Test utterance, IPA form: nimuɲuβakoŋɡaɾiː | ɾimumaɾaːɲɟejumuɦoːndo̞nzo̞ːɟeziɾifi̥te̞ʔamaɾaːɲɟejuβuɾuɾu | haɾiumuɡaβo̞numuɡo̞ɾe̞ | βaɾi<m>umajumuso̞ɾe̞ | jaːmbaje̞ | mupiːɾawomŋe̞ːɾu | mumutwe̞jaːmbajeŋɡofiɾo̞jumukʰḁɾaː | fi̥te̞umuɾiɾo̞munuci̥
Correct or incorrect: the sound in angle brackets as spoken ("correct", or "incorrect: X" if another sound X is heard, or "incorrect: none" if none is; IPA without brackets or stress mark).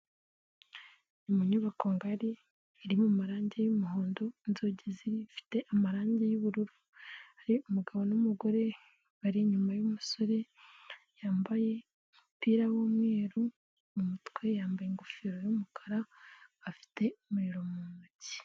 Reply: incorrect: ɲ